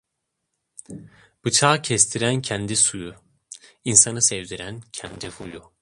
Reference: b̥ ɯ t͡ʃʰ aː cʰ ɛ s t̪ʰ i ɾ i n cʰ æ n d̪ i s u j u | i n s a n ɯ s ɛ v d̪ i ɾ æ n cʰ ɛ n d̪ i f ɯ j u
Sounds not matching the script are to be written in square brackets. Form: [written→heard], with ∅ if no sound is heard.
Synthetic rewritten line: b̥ ɯ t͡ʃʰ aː cʰ ɛ s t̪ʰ i ɾ [i→æ] n cʰ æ n d̪ i s u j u | i n s a n ɯ s ɛ v d̪ i ɾ æ n cʰ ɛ n d̪ i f [ɯ→u] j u